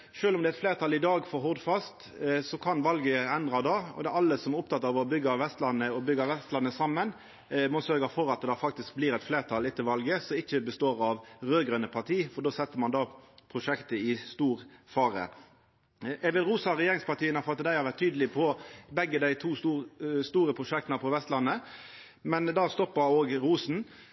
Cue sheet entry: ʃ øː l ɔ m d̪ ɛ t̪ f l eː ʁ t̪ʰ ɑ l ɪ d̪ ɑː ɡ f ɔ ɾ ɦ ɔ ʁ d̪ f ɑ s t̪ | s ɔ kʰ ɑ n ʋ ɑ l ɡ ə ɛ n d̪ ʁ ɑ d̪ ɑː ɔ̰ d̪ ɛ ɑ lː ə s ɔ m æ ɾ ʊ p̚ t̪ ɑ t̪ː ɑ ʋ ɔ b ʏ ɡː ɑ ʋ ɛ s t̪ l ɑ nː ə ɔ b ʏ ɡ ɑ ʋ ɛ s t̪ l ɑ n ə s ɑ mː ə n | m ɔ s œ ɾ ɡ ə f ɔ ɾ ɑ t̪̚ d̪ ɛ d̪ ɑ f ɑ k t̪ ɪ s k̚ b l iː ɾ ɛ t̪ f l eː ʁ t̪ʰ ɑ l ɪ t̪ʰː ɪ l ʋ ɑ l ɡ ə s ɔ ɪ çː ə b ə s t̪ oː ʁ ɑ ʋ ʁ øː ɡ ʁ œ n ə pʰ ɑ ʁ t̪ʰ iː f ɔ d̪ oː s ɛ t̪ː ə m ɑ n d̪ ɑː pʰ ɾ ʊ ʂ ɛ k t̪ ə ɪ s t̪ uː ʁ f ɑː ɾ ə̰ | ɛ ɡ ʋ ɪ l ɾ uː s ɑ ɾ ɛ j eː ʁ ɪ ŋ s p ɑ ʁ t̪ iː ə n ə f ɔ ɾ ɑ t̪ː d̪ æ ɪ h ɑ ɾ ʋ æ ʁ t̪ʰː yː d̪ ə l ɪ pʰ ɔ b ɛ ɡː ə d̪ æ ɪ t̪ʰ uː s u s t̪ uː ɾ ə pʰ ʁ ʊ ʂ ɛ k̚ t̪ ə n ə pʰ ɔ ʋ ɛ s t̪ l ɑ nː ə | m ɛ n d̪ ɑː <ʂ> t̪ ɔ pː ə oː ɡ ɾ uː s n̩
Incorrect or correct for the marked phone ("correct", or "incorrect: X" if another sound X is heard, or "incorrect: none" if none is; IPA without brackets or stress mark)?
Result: incorrect: s